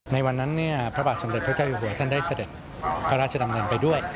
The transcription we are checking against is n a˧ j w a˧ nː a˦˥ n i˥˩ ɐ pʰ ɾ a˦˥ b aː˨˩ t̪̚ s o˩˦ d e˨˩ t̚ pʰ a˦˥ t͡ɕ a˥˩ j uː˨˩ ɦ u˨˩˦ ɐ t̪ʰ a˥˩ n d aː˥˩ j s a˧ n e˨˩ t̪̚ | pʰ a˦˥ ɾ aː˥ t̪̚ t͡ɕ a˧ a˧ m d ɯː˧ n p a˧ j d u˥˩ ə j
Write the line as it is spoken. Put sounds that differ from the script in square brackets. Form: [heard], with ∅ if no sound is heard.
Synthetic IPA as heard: n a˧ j w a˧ nː a˦˥ [nː] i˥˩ ɐ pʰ ɾ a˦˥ b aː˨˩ t̪̚ s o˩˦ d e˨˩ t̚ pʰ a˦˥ t͡ɕ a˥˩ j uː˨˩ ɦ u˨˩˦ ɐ t̪ʰ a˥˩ n d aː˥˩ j s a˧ [d] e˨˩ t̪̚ | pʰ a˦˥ ɾ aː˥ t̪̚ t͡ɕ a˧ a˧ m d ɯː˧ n p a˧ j d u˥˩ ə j